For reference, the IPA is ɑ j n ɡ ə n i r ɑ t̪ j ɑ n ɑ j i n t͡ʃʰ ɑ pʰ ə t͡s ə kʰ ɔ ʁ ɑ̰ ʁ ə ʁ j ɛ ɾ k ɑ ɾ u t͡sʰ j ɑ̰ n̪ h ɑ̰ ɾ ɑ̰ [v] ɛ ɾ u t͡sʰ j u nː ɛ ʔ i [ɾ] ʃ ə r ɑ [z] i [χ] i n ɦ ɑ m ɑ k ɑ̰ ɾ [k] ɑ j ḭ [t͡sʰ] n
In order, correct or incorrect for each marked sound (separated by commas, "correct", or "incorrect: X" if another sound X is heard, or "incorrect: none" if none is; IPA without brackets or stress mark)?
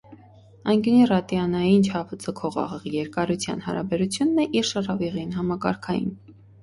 incorrect: b, correct, incorrect: v, incorrect: ʁ, incorrect: kʰ, incorrect: none